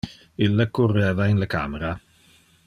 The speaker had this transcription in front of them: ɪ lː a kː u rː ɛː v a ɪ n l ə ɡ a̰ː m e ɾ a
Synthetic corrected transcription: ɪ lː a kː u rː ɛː v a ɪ n l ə k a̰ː m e ɾ a